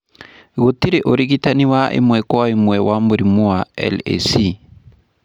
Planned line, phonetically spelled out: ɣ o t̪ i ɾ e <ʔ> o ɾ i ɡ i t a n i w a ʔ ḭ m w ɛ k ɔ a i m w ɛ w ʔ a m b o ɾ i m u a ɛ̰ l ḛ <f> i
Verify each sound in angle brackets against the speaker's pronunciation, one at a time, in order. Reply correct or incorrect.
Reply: correct, incorrect: s

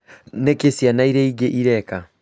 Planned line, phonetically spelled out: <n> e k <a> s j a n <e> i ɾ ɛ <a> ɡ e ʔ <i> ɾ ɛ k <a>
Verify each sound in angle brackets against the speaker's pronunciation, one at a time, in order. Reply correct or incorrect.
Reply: correct, incorrect: e, incorrect: a, incorrect: i, correct, correct

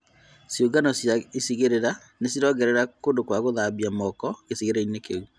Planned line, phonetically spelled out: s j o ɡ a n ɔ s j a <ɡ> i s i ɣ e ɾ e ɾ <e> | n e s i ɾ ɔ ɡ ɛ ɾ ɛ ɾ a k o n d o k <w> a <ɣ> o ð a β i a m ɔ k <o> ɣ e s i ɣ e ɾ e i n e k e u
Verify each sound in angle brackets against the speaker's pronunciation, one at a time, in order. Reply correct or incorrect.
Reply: incorrect: none, incorrect: a, correct, correct, incorrect: ɔ

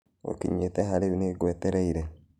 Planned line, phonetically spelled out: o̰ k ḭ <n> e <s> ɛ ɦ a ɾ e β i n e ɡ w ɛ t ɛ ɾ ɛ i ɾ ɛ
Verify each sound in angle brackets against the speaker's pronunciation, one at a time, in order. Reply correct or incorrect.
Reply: incorrect: ɲ, incorrect: t

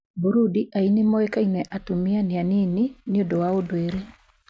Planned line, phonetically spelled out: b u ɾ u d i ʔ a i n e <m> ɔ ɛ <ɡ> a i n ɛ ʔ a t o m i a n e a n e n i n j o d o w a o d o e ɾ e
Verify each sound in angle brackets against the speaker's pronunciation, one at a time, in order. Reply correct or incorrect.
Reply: correct, incorrect: k

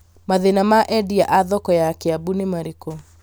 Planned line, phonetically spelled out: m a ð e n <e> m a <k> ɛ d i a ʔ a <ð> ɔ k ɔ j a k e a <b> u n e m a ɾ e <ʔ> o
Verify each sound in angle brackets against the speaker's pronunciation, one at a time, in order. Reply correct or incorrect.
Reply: incorrect: a, incorrect: ʔ, correct, correct, incorrect: k

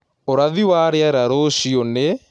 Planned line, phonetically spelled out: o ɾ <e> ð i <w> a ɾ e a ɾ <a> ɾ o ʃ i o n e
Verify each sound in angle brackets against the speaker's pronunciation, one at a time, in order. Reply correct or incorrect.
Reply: incorrect: a, correct, correct

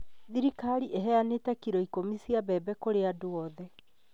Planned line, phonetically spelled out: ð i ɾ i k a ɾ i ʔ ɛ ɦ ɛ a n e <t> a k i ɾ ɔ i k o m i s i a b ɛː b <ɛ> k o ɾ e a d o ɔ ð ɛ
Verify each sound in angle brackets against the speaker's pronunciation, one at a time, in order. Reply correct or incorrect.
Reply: correct, correct

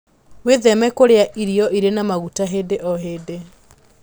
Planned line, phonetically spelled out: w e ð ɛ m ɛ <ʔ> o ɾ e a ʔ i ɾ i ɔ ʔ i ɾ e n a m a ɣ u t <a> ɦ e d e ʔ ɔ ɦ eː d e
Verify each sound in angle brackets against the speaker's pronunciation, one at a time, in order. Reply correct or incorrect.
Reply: incorrect: k, correct

